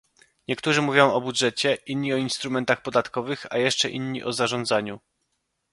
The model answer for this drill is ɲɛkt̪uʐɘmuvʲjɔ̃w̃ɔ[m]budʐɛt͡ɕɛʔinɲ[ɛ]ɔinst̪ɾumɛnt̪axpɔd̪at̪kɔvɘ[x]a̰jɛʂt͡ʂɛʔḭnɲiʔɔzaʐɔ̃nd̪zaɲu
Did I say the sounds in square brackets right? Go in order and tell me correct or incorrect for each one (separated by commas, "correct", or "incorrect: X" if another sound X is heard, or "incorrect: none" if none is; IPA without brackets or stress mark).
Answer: incorrect: none, incorrect: i, correct